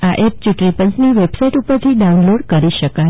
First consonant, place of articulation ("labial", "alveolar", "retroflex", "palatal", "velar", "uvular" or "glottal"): glottal